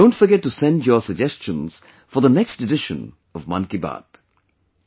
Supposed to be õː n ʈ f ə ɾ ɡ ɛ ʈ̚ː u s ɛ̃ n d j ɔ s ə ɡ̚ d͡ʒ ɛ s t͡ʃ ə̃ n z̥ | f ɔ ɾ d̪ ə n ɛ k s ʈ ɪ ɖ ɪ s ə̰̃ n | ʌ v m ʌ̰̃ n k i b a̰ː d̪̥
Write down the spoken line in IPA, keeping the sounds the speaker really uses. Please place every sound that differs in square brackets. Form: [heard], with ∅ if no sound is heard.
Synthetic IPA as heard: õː n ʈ f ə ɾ ɡ ɛ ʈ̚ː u s ɛ̃ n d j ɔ s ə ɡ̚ d͡ʒ ɛ s t͡ʃ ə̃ n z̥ | f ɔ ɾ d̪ ə n ɛ k s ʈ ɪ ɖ ɪ [ʃ] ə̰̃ n | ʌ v m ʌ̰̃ n k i b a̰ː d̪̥